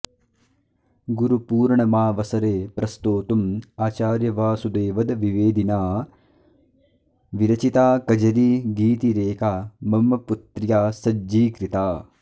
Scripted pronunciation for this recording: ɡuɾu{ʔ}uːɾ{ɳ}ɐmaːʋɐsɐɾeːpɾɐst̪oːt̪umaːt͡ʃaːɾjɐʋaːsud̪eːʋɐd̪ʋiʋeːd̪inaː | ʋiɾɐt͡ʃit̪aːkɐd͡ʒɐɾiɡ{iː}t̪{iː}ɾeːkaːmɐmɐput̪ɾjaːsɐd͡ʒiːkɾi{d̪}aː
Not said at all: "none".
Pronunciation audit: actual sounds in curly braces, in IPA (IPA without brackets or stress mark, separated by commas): p, ɳ, iː, i, t̪